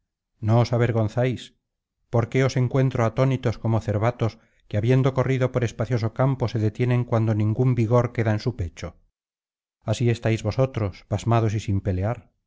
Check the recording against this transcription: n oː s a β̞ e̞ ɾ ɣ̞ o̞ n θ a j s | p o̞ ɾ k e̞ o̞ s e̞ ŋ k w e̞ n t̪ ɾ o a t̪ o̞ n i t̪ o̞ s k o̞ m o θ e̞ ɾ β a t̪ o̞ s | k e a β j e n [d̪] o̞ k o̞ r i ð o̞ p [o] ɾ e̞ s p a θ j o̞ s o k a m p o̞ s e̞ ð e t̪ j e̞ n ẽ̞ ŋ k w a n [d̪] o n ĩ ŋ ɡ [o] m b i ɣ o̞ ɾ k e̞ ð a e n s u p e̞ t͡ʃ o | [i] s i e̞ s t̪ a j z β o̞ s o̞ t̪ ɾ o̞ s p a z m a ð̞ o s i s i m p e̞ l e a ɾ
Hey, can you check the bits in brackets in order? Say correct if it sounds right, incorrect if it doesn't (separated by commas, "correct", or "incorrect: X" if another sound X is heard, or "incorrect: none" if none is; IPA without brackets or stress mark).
correct, correct, correct, incorrect: u, incorrect: a